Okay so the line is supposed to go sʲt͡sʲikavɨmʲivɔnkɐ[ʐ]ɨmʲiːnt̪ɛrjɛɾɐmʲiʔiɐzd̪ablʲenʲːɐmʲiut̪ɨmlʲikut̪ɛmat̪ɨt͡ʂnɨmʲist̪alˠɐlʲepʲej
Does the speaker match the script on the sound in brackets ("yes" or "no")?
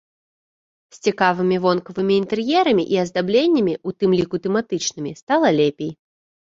no